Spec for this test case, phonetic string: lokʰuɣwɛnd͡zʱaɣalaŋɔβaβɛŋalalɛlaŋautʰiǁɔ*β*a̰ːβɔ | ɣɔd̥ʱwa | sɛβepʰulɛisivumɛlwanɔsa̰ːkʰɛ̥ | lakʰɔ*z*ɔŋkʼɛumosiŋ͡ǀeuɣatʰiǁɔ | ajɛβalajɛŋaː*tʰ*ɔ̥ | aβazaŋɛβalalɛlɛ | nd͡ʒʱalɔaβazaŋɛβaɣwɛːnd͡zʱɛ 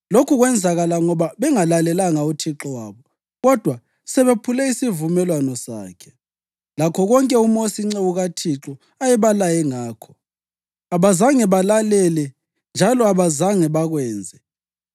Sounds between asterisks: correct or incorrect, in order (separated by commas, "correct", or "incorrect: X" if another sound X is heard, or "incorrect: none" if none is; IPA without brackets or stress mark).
incorrect: w, incorrect: ɣ, incorrect: kʰ